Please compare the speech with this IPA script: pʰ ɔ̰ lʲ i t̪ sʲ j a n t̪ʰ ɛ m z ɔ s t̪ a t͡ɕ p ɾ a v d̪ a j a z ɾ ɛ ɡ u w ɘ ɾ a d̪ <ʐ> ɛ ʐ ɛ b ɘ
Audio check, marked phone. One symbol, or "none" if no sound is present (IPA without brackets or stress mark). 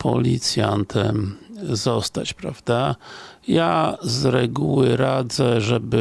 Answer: z